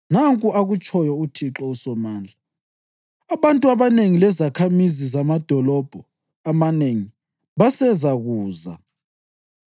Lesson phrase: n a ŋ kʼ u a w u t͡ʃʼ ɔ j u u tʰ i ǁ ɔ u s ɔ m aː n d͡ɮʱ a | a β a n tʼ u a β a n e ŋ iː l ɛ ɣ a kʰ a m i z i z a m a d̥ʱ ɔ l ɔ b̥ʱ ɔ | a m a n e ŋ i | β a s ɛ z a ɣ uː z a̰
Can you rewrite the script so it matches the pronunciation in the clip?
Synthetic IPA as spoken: n a ŋ kʼ u a ɣ u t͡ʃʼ ɔ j ɔ u tʰ i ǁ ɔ u s ɔ m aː n d͡ɮʱ a | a β a n tʼ u a β a n e ŋ i l ɛ z a kʰ a m i z i z a m a d̥ʱ ɔ l ɔ b̥ʱ ɔ | a m a n e ŋ i | β a s ɛ z a ɣ uː z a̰